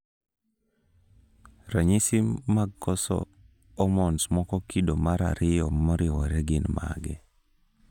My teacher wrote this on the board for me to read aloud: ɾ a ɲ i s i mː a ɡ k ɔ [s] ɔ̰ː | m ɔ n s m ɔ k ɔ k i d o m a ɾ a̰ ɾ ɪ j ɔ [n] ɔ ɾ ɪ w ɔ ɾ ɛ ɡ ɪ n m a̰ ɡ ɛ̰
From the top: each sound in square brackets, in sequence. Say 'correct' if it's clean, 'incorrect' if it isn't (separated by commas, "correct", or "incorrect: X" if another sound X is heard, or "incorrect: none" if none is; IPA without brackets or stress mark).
correct, incorrect: m